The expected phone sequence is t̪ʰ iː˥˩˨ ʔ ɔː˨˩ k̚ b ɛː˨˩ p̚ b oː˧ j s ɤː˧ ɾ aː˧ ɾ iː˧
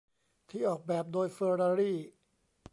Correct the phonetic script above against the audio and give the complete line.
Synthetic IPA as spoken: t̪ʰ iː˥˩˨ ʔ ɔː˨˩ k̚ b ɛː˨˩ p̚ d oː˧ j f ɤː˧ ɾ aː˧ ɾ iː˥˩